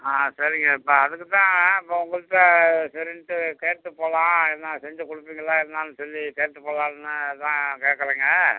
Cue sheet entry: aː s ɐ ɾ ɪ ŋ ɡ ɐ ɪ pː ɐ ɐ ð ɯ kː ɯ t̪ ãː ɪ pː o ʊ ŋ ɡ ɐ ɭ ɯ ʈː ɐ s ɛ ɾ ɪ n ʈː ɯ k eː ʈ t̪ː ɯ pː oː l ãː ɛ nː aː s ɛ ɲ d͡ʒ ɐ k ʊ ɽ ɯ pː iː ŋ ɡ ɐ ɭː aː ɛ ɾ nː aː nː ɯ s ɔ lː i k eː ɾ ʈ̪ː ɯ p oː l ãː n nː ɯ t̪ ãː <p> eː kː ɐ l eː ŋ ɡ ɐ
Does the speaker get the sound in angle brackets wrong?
yes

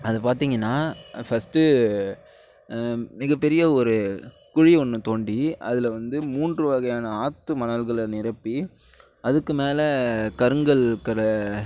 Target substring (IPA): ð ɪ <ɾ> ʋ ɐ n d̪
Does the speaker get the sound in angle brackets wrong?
yes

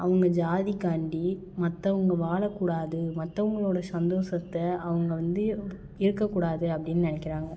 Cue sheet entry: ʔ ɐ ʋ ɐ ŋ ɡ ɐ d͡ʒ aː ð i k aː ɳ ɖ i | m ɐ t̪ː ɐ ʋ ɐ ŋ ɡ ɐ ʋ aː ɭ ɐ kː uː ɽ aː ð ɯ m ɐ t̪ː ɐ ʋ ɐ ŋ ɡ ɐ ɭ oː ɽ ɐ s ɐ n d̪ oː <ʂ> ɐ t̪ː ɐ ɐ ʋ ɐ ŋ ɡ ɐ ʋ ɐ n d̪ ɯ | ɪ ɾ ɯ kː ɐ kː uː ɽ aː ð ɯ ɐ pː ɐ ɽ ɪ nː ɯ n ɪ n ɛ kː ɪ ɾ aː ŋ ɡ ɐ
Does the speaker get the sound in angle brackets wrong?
yes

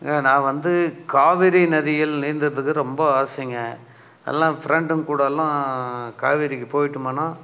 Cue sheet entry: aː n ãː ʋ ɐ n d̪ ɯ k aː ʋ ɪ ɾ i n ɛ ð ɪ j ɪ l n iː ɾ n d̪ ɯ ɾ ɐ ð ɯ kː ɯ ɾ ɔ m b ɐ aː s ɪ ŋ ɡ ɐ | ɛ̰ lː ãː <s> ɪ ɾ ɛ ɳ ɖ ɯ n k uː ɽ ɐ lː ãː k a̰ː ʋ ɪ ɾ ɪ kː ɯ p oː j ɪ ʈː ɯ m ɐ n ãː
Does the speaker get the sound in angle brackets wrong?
yes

